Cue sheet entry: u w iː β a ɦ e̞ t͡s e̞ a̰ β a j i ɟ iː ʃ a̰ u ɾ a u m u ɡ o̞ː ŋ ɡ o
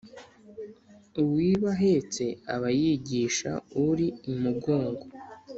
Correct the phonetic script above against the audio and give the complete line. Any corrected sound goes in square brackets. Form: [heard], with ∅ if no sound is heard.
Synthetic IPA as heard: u w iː β a ɦ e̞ t͡s e̞ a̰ β a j i ɟ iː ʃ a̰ u ɾ [i] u m u ɡ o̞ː ŋ ɡ o